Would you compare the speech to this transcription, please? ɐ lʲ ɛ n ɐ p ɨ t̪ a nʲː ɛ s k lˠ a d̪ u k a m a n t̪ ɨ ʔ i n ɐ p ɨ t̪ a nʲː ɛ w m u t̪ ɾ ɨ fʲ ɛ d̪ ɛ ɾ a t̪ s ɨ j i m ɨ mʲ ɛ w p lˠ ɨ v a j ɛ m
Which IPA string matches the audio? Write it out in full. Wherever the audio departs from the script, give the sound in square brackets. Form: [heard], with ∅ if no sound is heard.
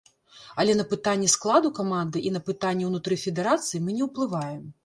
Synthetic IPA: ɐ lʲ ɛ n ɐ p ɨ t̪ a nʲː ɛ s k lˠ a d̪ u k a m a n [d̪] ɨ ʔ i n ɐ p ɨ t̪ a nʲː ɛ w [n] u t̪ ɾ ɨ fʲ ɛ d̪ ɛ ɾ a t̪ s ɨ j i m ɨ [nʲ] ɛ w p lˠ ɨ v a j ɛ m

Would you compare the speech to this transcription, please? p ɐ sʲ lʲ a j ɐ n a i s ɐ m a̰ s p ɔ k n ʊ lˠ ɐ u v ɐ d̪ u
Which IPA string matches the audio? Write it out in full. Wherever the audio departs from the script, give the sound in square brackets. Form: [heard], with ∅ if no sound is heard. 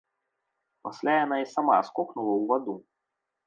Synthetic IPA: p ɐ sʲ lʲ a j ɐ n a i s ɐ m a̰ s [k] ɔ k n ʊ lˠ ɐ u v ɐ d̪ u

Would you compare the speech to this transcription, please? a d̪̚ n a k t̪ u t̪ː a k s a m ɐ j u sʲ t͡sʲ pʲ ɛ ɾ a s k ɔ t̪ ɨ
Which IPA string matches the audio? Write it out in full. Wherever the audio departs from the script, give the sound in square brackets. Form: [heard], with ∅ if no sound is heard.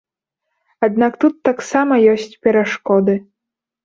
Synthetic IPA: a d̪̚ n a k t̪ u t̪ː a k s a m ɐ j [ɔ] sʲ t͡sʲ pʲ ɛ ɾ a [ʂ] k ɔ [d̪] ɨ

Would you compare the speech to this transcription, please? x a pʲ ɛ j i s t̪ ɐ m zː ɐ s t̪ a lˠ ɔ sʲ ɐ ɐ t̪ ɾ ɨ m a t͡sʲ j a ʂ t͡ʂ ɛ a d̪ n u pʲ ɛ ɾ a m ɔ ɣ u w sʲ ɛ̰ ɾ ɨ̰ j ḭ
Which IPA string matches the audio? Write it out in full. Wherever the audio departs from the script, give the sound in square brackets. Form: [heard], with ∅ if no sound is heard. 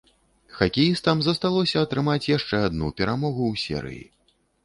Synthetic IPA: x a [kʲ] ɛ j i s t̪ ɐ m [z] ɐ s t̪ a lˠ ɔ sʲ ɐ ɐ t̪ ɾ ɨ m a t͡sʲ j a ʂ t͡ʂ ɛ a d̪ n u pʲ ɛ ɾ a m ɔ ɣ u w sʲ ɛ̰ ɾ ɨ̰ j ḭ

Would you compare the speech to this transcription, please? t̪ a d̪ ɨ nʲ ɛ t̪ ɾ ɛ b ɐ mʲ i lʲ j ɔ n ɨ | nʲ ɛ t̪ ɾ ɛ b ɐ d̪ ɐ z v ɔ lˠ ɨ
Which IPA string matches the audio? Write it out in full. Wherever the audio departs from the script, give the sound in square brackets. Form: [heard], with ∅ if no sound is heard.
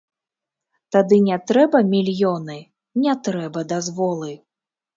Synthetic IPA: t̪ a d̪ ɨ nʲ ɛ t̪ ɾ ɛ b ɐ mʲ i lʲ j ɔ n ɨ | nʲ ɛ t̪ ɾ ɛ b ɐ d̪ [a] z v ɔ lˠ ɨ

